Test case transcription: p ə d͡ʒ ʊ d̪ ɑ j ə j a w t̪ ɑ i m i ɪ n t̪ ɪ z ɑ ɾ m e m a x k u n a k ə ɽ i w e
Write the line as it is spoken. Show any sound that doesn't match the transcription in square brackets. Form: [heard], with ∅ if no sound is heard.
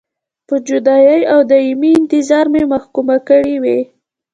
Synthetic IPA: p ə d͡ʒ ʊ d̪ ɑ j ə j a w [d̪] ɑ i m i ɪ n t̪ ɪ z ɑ ɾ m e m a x k u [m] a k ə ɽ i w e